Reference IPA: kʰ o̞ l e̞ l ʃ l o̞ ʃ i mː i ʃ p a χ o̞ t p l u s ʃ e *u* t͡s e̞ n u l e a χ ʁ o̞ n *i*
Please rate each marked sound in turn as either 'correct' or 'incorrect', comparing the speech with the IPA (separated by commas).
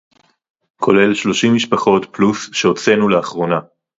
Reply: incorrect, incorrect